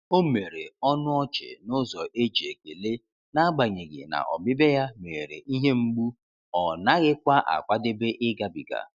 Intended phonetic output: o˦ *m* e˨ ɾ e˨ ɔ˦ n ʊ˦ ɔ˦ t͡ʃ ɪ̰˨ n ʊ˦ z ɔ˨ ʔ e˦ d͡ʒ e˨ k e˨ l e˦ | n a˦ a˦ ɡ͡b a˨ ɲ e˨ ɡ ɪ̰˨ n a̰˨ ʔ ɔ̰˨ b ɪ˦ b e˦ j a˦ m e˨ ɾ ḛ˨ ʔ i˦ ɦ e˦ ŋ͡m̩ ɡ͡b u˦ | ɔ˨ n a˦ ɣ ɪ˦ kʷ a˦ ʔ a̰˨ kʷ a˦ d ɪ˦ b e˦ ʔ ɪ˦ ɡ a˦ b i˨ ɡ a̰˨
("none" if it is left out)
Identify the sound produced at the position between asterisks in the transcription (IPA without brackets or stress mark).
m